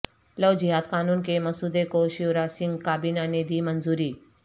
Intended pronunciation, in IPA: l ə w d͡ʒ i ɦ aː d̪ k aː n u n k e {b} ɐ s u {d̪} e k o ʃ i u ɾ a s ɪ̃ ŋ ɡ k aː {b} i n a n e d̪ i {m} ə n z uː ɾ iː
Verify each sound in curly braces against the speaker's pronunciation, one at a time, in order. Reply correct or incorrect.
incorrect: m, correct, correct, correct

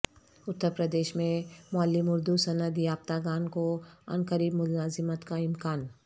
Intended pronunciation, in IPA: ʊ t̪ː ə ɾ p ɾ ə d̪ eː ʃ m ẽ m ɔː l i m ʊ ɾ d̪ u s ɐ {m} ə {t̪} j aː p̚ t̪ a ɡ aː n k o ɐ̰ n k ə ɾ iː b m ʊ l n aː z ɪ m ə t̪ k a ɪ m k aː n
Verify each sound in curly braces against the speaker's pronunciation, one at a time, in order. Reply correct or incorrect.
incorrect: n, incorrect: d̪

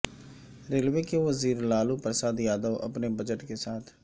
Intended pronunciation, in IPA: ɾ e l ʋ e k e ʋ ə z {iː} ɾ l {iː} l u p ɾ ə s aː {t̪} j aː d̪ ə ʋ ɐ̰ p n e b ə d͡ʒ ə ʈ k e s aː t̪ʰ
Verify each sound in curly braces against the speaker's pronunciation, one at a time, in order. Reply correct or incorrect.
correct, incorrect: aː, incorrect: d̪

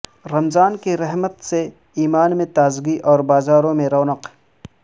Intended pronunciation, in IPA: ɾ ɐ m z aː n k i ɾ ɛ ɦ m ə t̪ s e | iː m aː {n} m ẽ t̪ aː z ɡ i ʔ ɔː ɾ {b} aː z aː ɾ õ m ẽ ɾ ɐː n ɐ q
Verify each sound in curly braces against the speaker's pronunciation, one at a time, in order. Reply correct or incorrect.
correct, correct

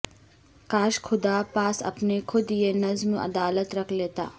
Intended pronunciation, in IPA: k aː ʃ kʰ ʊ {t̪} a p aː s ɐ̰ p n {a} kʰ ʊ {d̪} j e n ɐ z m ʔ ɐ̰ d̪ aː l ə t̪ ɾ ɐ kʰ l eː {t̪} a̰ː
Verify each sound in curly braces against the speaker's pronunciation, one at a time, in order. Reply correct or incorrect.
incorrect: d̪, incorrect: e, correct, correct

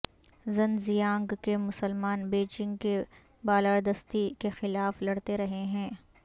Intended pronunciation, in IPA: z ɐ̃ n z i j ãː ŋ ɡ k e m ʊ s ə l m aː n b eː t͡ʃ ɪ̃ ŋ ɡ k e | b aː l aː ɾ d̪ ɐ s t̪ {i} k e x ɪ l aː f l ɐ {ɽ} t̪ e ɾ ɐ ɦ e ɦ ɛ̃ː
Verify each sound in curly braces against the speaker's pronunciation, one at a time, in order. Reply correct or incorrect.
correct, correct

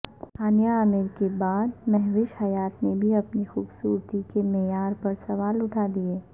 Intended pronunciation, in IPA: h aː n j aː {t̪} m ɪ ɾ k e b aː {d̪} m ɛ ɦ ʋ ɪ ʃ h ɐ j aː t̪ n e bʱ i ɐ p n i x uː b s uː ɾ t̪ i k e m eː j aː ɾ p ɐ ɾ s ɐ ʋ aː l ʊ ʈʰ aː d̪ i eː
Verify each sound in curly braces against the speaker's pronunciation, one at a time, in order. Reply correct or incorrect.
incorrect: none, correct

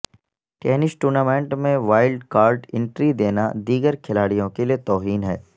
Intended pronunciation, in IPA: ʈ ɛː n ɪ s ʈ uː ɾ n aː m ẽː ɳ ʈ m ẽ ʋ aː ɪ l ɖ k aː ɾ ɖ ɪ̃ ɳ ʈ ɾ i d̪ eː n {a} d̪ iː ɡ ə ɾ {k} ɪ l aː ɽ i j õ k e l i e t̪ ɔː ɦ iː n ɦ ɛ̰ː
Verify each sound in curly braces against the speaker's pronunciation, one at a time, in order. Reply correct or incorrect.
correct, incorrect: kʰ

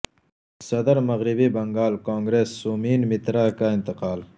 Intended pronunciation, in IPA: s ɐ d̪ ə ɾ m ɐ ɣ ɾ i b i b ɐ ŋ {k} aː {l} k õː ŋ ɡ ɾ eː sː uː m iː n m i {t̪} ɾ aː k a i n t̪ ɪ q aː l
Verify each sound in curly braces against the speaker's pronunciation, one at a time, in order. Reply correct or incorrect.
incorrect: ɡ, correct, correct

